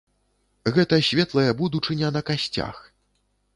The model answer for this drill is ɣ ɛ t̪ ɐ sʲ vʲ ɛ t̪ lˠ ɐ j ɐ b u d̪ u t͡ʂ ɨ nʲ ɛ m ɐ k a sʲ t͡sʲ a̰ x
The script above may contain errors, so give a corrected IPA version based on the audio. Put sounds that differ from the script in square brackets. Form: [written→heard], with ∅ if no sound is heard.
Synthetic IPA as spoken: ɣ ɛ t̪ ɐ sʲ vʲ ɛ t̪ lˠ ɐ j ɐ b u d̪ u t͡ʂ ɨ nʲ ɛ [m→n] ɐ k a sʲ t͡sʲ a̰ x